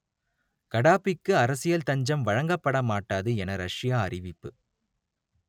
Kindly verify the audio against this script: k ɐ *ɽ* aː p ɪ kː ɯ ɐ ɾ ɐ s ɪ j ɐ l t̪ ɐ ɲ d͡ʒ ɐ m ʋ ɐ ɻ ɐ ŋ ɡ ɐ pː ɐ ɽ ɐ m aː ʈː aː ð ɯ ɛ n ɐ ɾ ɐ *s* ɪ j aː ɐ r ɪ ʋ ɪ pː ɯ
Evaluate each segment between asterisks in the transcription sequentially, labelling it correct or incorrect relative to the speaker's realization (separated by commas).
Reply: correct, incorrect